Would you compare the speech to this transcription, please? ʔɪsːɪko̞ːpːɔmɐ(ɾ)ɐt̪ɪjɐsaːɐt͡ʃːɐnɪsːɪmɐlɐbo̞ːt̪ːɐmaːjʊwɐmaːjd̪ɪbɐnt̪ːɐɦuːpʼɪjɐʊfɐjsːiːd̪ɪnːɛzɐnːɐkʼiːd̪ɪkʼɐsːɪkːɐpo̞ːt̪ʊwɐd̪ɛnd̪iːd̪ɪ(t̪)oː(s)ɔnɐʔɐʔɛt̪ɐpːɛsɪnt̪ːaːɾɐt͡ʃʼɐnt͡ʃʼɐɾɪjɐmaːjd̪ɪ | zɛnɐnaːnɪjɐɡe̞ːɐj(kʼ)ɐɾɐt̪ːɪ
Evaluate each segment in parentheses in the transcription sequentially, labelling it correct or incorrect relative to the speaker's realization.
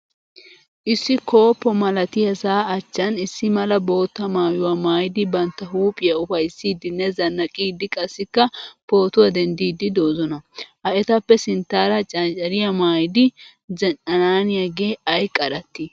incorrect: l, incorrect: d̪, incorrect: z, correct

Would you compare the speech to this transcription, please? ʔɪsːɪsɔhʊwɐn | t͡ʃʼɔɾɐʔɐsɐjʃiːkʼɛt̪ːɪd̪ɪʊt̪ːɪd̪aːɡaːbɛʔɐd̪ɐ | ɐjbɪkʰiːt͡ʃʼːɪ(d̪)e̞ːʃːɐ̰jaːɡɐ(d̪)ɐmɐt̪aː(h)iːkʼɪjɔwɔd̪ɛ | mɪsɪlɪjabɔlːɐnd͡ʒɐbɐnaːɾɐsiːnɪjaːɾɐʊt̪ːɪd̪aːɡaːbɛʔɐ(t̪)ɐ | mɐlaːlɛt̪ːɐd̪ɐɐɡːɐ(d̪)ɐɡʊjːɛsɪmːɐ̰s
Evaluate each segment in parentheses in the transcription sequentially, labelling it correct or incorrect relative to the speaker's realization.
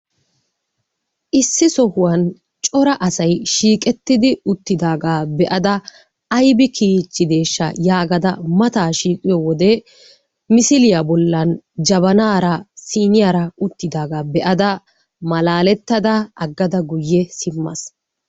correct, correct, incorrect: ʃ, incorrect: d̪, correct

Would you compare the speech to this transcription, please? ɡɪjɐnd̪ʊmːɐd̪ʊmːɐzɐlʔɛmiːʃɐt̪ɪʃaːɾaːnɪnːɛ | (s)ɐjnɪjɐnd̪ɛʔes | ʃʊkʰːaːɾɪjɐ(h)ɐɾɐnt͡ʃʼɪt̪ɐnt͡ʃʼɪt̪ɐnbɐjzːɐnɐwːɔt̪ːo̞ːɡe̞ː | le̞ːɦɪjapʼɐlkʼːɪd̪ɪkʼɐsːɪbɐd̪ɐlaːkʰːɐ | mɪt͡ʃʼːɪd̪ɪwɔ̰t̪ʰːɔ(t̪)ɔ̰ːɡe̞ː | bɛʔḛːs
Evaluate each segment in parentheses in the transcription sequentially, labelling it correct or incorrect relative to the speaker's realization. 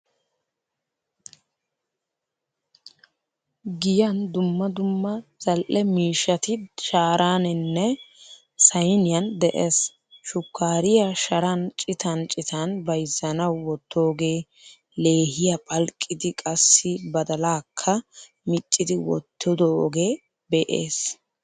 correct, incorrect: ʃ, incorrect: d̪

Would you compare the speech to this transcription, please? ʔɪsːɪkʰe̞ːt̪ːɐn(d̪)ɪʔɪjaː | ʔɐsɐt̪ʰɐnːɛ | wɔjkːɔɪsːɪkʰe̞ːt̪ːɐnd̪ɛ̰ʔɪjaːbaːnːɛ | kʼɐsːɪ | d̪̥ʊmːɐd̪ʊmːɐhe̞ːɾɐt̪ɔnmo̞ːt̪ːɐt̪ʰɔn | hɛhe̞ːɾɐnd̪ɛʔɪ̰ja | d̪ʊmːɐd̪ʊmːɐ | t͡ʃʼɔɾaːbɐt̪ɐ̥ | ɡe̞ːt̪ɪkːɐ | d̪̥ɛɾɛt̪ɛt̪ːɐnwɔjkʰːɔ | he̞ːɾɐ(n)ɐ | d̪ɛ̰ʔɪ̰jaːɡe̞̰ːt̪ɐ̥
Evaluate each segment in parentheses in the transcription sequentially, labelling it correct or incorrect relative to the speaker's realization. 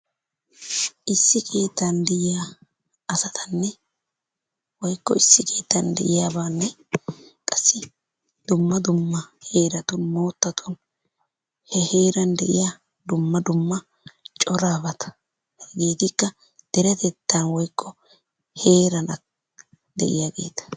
correct, correct

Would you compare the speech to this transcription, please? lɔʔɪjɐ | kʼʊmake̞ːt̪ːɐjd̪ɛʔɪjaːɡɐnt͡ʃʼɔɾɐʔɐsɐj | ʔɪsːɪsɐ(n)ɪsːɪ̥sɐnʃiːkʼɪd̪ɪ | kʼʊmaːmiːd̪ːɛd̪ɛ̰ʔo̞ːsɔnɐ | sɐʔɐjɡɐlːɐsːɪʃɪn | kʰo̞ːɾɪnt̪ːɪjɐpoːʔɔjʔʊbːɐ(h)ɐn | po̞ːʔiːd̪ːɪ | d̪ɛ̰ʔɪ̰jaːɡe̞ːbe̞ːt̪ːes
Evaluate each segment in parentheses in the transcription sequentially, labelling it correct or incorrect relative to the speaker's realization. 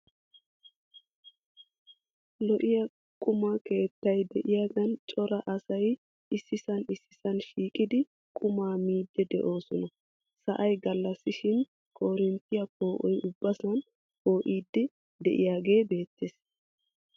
correct, incorrect: s

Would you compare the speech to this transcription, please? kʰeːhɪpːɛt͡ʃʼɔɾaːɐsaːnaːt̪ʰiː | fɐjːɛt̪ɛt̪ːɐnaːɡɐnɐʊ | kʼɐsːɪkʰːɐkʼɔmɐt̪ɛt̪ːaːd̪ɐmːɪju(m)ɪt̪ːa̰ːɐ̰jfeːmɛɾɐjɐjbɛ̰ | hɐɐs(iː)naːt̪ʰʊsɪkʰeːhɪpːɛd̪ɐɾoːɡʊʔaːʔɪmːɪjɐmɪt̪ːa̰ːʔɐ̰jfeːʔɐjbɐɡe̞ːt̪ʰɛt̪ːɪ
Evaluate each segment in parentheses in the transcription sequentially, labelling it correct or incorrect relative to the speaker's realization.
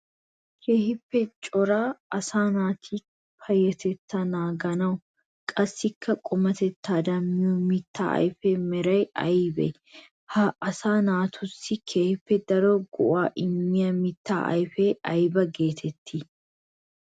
correct, incorrect: aː

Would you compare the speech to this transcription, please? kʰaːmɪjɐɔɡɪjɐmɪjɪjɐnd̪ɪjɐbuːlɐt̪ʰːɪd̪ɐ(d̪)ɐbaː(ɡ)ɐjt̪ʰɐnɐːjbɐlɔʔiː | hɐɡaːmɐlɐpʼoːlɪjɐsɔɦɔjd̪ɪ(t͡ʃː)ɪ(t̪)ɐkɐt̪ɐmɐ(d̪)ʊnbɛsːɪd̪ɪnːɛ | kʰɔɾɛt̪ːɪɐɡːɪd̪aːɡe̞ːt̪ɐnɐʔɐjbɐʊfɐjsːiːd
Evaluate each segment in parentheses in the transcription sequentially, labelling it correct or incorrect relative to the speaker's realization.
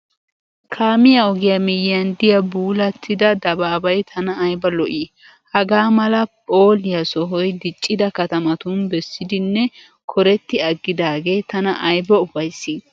correct, incorrect: b, incorrect: t͡ʃʼː, incorrect: d̪, incorrect: t̪

